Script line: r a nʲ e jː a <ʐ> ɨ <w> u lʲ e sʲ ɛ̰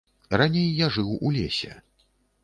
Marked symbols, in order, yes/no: yes, yes

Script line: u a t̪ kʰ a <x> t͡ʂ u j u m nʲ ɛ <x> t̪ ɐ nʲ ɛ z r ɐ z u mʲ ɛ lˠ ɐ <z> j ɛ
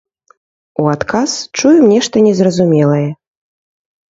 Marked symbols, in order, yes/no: no, no, no

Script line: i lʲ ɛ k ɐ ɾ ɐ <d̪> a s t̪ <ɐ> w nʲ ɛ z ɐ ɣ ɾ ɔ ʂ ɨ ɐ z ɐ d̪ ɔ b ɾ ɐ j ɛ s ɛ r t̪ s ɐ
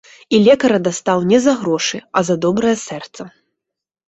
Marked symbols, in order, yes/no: yes, no

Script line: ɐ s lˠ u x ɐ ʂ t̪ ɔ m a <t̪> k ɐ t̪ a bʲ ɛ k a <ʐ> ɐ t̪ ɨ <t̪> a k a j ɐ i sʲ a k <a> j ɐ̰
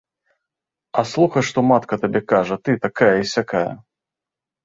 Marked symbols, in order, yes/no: yes, yes, yes, yes

